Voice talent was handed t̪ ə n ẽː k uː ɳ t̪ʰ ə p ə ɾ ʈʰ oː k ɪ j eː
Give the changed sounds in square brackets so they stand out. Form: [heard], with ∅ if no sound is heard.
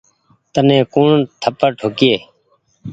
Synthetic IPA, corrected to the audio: t̪ ə n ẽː k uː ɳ t̪ʰ ə p ə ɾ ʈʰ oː k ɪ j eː